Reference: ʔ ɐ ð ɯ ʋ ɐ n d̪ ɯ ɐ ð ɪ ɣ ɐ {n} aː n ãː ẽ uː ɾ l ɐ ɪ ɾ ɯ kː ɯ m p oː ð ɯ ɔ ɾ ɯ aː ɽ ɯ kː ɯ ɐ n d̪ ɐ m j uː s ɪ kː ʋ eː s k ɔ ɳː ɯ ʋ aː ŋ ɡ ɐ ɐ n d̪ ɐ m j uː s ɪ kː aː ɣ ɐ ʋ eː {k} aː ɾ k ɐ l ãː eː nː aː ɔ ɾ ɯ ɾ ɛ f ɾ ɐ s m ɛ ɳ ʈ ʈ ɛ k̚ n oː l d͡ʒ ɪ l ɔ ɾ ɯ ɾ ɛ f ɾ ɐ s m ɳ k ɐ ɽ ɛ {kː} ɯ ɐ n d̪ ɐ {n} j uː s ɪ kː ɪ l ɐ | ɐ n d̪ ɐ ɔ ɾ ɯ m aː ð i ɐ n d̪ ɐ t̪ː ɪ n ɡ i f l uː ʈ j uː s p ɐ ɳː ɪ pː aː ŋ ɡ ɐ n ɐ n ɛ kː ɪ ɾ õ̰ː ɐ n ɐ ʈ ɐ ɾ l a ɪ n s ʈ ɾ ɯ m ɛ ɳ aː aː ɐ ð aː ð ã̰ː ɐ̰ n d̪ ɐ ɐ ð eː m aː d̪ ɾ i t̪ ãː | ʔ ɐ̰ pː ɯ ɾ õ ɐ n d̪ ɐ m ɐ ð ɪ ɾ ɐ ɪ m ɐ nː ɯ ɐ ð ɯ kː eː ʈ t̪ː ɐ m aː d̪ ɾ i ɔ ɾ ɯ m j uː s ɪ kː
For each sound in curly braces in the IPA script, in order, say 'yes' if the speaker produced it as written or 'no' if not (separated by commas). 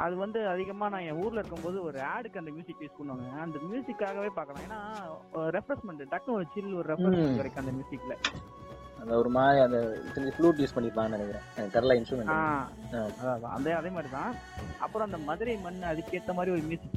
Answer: no, no, yes, no